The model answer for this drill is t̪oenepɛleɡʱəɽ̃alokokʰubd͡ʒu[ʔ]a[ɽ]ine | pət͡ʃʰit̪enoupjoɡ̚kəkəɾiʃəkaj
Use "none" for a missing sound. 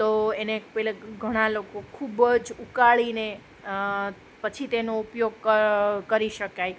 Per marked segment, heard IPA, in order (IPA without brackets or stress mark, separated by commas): k, ɭ